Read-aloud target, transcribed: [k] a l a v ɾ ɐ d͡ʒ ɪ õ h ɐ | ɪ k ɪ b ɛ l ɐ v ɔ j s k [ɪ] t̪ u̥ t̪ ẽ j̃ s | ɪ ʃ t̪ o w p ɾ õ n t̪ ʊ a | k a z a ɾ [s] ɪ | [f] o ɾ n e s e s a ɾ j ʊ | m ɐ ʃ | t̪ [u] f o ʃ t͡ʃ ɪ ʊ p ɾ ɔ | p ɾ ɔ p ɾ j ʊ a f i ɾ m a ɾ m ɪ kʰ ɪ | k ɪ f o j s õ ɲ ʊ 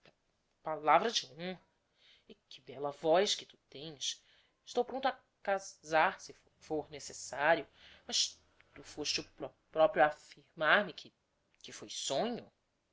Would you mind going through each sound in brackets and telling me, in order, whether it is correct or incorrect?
incorrect, correct, correct, correct, correct

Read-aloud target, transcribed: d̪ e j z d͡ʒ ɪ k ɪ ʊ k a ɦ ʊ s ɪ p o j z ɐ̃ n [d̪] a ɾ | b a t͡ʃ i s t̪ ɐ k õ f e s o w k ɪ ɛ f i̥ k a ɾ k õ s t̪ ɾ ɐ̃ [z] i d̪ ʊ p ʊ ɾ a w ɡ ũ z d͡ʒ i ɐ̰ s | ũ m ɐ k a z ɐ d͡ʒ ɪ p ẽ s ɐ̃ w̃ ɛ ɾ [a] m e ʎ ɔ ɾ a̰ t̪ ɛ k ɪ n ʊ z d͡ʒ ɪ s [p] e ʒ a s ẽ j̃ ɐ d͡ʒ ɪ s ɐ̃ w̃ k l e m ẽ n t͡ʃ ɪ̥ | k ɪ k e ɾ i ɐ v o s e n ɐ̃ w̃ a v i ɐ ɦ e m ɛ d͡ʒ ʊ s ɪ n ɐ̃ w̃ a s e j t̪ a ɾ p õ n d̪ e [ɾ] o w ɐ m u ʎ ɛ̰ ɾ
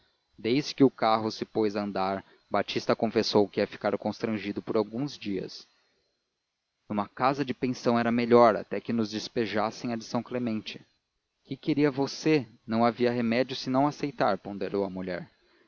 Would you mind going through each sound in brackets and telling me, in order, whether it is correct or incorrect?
correct, incorrect, incorrect, correct, correct

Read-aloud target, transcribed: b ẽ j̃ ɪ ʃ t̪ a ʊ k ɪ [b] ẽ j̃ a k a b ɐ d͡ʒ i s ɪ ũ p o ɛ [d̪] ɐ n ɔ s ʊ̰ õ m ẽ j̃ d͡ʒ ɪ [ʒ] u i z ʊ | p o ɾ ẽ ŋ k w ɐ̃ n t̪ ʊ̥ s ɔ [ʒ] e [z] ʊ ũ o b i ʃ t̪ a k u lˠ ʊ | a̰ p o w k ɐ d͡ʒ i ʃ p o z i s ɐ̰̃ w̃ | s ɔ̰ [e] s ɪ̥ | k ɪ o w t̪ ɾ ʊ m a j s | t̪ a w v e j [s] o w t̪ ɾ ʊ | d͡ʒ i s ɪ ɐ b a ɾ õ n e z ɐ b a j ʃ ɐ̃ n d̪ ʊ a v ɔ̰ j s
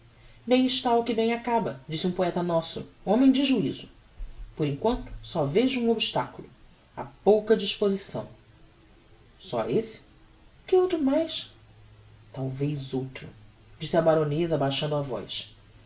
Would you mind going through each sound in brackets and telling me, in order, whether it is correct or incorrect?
correct, incorrect, correct, incorrect, incorrect, correct, incorrect

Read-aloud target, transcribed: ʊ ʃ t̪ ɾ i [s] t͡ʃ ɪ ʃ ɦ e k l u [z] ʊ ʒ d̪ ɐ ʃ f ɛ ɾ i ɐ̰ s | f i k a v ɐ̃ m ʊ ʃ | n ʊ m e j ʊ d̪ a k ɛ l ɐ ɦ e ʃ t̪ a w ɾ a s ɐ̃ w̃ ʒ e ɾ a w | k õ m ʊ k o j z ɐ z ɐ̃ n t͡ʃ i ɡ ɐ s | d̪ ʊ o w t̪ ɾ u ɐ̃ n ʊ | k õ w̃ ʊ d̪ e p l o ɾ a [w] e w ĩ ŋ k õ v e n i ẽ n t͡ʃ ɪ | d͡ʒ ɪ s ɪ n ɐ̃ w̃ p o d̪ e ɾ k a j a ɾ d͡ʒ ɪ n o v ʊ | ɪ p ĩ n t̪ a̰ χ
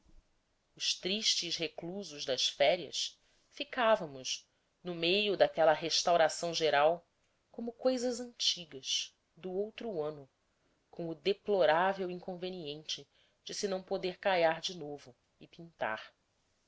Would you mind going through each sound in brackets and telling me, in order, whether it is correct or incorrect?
incorrect, correct, incorrect

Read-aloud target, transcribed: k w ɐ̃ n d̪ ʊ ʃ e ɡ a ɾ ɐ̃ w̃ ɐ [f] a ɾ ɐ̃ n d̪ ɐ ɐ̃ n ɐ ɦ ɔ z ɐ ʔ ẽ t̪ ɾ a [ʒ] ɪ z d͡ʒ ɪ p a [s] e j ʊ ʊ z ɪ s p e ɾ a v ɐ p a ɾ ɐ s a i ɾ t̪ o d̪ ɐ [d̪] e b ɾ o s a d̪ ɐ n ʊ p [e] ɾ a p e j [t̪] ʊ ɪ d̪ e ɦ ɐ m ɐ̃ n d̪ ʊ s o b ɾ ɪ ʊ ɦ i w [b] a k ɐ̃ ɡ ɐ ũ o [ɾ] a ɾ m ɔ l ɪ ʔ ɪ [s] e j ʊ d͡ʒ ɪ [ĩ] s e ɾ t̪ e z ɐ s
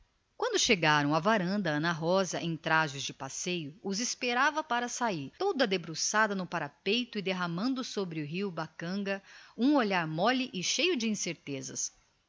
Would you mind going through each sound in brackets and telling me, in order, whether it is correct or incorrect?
incorrect, correct, correct, correct, incorrect, correct, correct, incorrect, incorrect, correct

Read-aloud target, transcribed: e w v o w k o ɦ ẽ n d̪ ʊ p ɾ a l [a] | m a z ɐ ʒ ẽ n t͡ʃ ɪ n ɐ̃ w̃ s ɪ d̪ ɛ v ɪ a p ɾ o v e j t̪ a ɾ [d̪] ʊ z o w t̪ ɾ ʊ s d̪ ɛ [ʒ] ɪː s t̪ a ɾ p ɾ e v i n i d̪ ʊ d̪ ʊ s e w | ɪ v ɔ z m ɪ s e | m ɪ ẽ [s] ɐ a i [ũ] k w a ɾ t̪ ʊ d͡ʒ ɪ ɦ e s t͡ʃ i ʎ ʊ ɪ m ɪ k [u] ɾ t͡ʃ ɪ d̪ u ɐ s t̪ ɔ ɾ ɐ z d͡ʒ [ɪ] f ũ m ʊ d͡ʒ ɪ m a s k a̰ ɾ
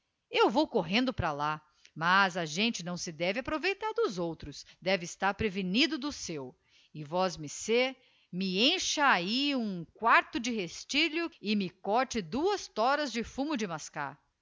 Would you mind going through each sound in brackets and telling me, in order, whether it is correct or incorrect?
correct, correct, incorrect, incorrect, correct, incorrect, correct

